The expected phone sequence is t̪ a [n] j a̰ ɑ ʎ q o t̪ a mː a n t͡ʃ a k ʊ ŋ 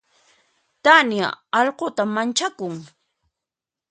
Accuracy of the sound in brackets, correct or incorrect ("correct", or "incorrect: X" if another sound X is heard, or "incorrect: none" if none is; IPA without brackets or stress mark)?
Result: correct